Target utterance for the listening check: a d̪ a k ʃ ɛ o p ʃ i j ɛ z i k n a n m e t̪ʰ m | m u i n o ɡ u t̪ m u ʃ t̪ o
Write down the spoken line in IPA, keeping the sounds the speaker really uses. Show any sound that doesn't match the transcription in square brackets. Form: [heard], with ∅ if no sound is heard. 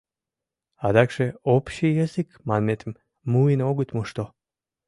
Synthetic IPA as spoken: a d̪ a k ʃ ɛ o p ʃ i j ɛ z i k [m] a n m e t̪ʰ m | m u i n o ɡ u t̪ m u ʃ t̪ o